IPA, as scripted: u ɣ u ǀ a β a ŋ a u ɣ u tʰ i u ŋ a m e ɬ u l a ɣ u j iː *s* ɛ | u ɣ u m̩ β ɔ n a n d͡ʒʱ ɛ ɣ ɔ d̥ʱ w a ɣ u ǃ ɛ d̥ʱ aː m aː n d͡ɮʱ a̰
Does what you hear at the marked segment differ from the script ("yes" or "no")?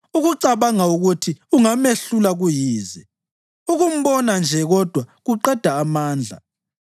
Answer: yes